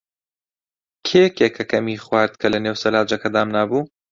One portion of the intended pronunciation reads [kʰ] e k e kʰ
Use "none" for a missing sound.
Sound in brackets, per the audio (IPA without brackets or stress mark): kʰ